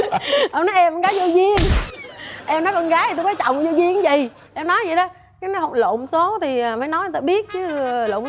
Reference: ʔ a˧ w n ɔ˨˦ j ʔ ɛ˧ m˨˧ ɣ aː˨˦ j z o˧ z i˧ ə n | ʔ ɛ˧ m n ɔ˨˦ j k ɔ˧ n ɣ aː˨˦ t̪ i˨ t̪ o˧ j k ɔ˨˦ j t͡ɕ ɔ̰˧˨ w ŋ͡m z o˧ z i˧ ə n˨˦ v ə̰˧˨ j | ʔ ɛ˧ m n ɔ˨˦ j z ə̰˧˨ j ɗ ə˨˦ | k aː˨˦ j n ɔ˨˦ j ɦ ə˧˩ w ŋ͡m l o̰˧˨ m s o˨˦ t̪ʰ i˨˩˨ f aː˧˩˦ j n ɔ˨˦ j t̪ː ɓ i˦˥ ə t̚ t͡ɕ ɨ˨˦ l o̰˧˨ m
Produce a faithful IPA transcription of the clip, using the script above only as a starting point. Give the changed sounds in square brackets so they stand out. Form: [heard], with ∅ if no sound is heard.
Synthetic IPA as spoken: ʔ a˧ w n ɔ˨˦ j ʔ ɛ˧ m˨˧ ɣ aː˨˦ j z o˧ z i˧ ə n | ʔ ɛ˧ m n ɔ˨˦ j k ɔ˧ n ɣ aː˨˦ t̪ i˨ t̪ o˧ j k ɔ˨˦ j t͡ɕ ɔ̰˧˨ w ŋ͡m z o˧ z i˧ ə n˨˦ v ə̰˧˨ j | ʔ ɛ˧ m n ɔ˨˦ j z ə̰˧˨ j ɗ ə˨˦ | k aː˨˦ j n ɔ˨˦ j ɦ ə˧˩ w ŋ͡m l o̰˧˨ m s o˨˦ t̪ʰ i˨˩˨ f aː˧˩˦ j n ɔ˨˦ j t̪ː ɓ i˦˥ ə t̚ t͡ɕ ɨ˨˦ l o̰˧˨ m